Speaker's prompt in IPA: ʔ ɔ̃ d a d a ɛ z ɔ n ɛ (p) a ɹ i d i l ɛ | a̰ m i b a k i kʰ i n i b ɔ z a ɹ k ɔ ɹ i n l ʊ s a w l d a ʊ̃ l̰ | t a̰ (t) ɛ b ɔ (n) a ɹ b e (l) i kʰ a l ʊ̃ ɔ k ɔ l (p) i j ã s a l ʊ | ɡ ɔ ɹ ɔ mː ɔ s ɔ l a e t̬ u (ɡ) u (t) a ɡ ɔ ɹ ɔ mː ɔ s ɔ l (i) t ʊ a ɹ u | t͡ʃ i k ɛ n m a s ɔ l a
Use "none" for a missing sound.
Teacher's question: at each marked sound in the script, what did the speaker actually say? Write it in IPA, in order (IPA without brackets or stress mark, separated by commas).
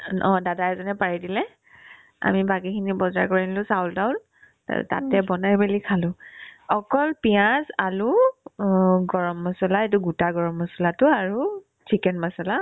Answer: p, t, n, l, p, ɡ, t, a